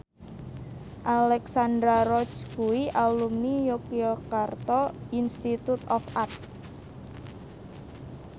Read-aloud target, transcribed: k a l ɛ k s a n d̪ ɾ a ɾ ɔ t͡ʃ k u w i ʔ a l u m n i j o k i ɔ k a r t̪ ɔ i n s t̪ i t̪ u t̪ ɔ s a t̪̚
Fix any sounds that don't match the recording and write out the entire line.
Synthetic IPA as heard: ʔ a l ɛ k s a n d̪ ɾ a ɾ ɔ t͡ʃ k u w i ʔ a l u m n i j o k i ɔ k a r t̪ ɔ i n s t̪ i t̪ u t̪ ɔ f a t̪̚